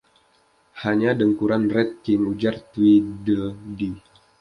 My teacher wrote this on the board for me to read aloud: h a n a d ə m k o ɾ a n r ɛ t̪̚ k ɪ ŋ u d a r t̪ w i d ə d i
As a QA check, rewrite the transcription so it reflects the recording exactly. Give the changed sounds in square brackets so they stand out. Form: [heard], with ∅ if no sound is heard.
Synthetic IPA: h a [ɲ] a d ə [ŋ] k [u] ɾ a n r ɛ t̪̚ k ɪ ŋ u [d͡ʒ] a r t̪ w i d ə d i